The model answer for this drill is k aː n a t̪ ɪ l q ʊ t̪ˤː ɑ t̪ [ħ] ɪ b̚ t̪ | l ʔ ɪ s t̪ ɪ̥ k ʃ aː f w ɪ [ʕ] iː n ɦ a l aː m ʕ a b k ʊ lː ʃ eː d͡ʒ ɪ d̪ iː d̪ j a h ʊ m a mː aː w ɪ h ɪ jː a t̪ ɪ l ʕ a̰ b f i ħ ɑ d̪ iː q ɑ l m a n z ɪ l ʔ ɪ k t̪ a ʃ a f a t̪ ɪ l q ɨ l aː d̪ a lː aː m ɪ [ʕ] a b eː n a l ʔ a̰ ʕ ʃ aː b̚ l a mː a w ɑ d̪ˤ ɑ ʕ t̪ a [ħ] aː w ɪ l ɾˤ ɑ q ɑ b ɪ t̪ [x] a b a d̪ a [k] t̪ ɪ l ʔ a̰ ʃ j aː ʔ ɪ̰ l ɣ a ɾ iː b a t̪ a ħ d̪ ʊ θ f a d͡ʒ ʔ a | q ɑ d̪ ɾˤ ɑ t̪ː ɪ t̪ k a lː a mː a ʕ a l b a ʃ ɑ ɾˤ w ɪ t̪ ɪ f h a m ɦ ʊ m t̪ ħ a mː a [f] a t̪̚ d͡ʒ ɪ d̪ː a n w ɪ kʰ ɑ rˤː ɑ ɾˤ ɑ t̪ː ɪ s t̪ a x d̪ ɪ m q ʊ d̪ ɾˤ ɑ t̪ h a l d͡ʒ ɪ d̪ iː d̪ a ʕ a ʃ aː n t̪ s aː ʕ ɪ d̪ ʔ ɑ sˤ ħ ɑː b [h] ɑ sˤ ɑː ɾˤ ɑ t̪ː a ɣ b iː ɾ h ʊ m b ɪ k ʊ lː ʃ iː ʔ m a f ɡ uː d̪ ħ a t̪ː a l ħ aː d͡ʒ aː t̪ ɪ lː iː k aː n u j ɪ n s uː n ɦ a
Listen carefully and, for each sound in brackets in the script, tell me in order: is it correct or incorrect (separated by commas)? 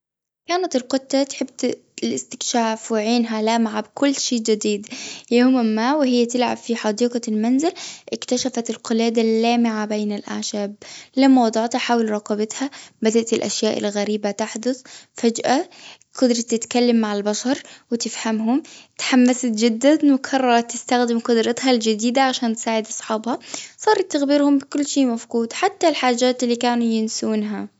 correct, correct, correct, correct, incorrect, incorrect, incorrect, correct